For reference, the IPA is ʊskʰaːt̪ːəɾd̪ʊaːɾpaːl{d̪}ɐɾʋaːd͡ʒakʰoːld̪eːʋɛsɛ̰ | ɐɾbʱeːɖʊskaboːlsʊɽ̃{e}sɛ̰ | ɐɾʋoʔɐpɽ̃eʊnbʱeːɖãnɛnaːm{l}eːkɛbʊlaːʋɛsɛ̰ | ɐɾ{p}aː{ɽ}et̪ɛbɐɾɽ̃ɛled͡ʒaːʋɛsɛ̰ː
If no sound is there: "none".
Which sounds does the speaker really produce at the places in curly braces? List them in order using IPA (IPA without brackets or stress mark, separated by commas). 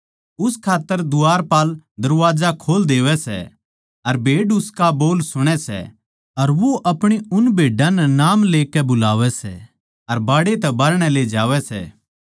d̪, ɛ, l, b, ɽ